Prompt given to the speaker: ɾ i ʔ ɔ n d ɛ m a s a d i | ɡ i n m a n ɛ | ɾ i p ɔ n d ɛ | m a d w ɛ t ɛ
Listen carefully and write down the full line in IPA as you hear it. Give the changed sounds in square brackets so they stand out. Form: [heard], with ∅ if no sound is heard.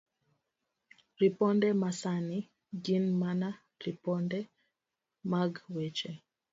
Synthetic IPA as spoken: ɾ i [p] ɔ n d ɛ m a s a [n] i | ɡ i n m a n [a] | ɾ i p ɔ n d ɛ | m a [ɡ] w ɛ [t͡ʃ] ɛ